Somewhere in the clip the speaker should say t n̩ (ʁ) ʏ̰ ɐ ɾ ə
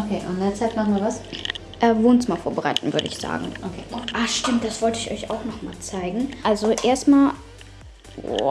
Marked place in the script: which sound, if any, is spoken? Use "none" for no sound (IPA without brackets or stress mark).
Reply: v